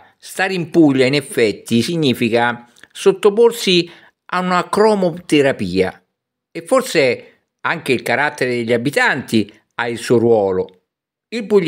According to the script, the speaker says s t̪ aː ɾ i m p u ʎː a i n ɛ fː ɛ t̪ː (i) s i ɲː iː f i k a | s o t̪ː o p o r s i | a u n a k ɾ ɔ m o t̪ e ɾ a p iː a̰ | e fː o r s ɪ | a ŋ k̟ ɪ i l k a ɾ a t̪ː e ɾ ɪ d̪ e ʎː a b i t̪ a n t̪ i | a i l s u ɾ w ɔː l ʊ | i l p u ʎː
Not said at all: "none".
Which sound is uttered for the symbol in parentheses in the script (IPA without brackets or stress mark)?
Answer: i